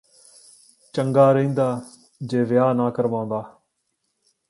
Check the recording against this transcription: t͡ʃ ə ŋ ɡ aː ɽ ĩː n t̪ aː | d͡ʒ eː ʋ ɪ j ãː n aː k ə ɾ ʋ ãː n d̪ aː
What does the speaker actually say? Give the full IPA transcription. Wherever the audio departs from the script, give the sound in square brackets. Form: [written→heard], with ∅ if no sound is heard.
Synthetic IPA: t͡ʃ ə ŋ ɡ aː [ɽ→ɾ] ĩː n [t̪→d̪] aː | d͡ʒ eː ʋ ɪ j [ãː→aː] n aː k ə ɾ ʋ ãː n d̪ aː